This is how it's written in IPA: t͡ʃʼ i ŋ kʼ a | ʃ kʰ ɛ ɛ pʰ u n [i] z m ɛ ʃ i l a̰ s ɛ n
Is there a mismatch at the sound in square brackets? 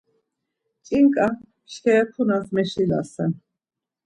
yes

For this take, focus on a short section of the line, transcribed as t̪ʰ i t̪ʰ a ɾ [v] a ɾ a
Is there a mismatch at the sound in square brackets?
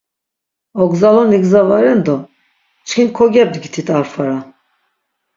yes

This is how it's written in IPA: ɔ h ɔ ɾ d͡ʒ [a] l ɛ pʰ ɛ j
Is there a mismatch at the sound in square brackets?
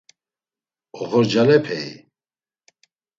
no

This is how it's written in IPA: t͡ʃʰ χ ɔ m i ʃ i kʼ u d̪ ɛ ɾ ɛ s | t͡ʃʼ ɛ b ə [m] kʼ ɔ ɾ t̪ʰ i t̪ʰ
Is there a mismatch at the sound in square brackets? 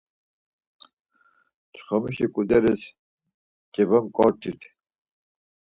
no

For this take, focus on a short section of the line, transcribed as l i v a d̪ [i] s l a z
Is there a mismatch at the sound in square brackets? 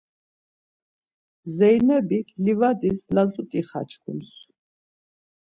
no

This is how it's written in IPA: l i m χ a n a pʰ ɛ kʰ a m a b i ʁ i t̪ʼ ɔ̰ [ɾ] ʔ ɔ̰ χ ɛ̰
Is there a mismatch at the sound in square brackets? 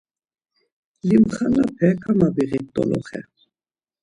yes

